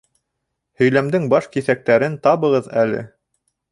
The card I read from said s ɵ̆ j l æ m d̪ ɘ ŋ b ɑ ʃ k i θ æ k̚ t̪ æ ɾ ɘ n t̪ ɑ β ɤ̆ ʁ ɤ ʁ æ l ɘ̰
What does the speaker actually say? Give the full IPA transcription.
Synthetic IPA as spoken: h ɵ̆ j l æ m d̪ ɘ ŋ b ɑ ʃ k i θ æ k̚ t̪ æ ɾ ɘ n t̪ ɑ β ɤ̆ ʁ ɤ ð æ l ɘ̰